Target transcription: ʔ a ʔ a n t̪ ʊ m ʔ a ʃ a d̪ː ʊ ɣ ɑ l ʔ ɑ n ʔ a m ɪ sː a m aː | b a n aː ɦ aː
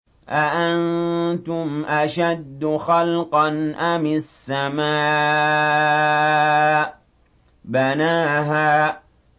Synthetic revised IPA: ʔ a ʔ a n t̪ ʊ m ʔ a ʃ a d̪ː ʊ x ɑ l q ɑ n ʔ a m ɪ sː a m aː | b a n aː ɦ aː